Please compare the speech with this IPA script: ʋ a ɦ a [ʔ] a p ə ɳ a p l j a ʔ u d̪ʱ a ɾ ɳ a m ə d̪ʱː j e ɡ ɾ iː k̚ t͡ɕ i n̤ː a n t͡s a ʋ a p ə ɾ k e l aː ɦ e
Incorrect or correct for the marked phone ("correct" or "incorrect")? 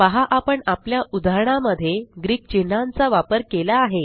correct